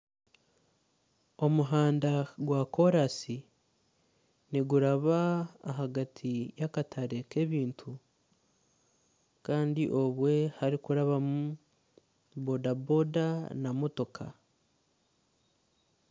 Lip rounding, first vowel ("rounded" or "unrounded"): rounded